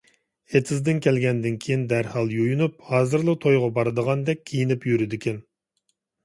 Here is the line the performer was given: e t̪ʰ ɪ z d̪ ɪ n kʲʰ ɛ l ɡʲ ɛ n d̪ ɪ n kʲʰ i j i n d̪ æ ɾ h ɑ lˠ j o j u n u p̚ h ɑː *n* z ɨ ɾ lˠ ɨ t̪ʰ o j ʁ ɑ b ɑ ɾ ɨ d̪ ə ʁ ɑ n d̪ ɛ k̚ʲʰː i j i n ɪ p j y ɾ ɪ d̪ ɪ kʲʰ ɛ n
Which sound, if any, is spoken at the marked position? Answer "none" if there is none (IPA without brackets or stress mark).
none